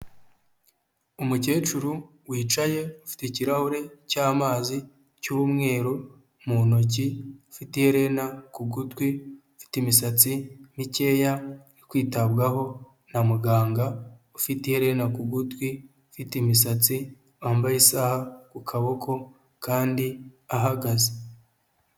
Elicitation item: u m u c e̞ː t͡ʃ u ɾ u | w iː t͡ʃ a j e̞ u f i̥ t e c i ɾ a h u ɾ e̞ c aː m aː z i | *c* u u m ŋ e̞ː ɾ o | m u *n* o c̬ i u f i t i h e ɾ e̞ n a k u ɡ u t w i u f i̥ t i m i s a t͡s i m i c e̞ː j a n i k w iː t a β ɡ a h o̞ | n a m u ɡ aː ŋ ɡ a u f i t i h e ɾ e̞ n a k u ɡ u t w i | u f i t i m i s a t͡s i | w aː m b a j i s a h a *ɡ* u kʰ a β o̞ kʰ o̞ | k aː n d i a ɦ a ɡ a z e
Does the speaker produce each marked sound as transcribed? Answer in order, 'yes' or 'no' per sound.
yes, yes, no

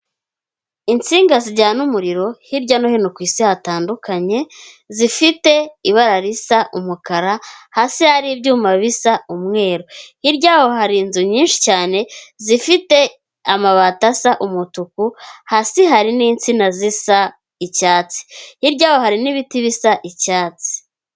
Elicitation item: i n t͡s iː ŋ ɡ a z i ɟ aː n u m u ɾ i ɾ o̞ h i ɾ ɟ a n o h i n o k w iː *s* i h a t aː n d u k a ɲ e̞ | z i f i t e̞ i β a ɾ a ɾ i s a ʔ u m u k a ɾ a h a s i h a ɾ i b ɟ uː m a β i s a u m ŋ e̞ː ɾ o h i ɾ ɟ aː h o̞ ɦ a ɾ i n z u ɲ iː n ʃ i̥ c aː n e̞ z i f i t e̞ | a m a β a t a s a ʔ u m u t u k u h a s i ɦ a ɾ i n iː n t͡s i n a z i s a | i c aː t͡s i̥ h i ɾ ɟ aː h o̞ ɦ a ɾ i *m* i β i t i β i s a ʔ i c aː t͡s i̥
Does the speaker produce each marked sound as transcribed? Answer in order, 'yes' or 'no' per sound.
yes, no

